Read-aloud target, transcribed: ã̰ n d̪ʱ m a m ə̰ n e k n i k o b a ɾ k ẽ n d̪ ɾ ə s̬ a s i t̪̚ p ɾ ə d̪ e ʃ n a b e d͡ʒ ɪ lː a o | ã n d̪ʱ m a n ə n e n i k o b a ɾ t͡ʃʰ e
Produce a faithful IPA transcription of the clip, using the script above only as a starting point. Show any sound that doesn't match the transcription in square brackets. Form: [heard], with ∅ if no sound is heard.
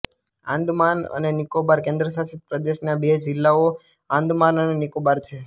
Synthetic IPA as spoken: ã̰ n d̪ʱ m a [n] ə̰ n e [∅] n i k o b a ɾ k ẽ n d̪ ɾ ə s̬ a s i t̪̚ p ɾ ə d̪ e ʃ n a b e d͡ʒ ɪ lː a o | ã n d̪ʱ m a n ə n e n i k o b a ɾ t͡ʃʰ e